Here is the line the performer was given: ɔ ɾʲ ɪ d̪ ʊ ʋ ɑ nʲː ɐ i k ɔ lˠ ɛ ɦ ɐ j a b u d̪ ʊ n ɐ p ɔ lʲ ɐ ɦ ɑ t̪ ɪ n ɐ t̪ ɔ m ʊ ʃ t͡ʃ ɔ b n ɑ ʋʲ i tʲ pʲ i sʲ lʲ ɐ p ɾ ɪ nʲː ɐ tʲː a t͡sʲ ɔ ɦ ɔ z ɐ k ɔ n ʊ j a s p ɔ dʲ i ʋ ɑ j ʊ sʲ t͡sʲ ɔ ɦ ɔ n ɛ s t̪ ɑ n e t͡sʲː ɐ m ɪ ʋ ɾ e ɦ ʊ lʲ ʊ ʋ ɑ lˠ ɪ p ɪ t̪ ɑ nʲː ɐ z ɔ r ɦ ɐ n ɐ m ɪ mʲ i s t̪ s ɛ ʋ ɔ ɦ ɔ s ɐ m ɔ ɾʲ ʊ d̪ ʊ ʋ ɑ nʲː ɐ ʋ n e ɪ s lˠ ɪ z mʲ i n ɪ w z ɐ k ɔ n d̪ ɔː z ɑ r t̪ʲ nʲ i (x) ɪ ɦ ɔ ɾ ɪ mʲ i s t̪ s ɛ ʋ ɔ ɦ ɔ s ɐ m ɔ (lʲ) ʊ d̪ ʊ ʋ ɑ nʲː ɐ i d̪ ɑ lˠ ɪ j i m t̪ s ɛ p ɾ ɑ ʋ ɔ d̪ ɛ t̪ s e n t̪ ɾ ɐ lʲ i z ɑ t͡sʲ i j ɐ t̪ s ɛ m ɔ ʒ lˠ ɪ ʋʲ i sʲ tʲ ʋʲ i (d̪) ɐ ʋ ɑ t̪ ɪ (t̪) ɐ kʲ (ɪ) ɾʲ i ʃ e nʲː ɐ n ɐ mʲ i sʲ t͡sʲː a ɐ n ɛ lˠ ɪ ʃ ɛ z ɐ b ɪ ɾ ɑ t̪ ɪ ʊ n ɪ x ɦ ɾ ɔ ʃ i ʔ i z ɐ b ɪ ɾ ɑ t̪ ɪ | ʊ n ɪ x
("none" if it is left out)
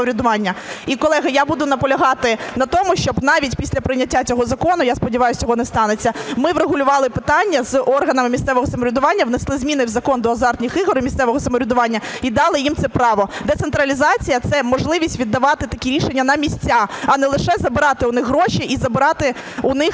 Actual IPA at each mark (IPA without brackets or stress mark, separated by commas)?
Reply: x, ɾʲ, d̪ː, t̪, i